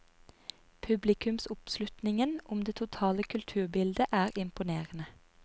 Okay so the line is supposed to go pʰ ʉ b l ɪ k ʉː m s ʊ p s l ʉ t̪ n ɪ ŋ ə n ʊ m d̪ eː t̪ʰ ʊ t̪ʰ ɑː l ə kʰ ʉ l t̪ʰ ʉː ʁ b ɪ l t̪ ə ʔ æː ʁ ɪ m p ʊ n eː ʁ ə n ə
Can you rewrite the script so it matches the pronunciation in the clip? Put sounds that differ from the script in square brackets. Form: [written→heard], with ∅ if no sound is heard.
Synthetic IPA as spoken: pʰ ʉ b l ɪ k [ʉː→ʉ] m s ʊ p s l ʉ t̪ n ɪ ŋ ə n ʊ m d̪ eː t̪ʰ ʊ t̪ʰ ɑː l ə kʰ ʉ l t̪ʰ ʉː ʁ b ɪ l [t̪→d̪] ə ʔ æː ʁ ɪ m p ʊ n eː ʁ ə n ə